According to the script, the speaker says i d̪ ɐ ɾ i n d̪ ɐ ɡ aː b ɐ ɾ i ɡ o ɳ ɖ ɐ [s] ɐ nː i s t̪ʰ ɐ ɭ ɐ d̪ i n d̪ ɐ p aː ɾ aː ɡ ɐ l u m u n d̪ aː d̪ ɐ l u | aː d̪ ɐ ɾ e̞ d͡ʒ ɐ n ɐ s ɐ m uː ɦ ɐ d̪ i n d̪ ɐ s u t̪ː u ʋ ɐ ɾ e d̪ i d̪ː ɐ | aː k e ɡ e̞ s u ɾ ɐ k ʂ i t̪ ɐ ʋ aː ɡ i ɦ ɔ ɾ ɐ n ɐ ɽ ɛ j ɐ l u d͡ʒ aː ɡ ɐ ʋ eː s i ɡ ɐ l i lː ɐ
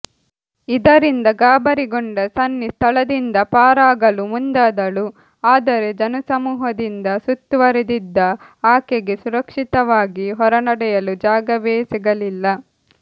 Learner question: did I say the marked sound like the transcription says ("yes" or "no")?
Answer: yes